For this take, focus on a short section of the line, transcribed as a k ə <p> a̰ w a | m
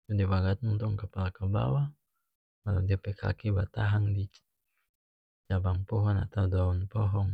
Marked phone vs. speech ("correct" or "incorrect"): incorrect